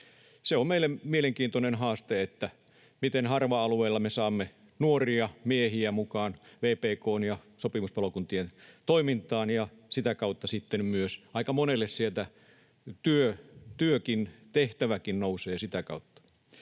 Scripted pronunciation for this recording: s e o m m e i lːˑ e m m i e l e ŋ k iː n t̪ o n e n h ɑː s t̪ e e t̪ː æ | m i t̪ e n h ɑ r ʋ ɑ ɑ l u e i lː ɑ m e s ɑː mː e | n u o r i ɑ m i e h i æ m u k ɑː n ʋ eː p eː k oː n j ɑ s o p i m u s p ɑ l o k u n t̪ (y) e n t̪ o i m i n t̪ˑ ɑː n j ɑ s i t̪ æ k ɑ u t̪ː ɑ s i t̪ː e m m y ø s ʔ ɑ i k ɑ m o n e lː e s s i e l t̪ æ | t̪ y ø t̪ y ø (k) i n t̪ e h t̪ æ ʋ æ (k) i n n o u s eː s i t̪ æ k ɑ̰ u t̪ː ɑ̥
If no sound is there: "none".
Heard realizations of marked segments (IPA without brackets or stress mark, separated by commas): i, k, k